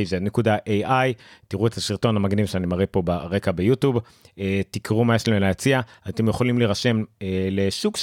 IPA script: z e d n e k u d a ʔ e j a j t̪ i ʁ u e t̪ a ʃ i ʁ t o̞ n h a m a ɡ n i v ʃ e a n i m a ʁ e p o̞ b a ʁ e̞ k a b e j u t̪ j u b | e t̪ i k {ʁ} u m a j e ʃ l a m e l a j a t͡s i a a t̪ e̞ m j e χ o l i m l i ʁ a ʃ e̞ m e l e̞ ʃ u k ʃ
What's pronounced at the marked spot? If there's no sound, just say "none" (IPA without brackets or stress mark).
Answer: ʁ